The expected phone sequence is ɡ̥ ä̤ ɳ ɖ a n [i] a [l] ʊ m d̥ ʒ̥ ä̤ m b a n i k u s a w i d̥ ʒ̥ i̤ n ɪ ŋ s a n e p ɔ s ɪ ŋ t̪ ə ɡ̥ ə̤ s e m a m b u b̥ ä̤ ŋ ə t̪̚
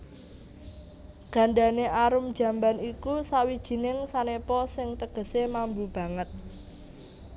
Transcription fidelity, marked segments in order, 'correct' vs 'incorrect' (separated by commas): incorrect, incorrect